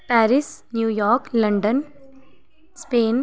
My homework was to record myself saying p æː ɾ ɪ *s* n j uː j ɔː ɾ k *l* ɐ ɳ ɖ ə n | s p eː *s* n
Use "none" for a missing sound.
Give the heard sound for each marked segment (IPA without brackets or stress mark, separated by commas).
s, l, none